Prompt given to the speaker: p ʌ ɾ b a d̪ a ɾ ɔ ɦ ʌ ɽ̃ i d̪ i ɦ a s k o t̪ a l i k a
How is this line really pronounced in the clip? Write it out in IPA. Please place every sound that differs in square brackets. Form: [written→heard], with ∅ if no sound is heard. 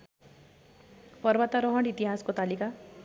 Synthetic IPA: p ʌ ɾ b a [d̪→t̪] a ɾ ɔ ɦ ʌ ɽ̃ i [d̪→t̪] i ɦ a s k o t̪ a l i k a